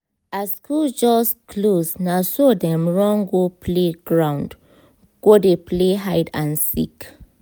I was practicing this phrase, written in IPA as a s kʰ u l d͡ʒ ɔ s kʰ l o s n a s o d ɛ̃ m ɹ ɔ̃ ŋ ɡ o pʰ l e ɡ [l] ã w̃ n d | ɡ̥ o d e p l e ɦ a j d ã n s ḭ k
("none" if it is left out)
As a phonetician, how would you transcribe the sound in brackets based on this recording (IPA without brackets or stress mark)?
ɹ